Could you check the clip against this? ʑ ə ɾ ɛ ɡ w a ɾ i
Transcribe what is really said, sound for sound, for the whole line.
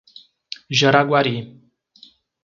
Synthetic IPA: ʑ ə ɾ a ɡ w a ɾ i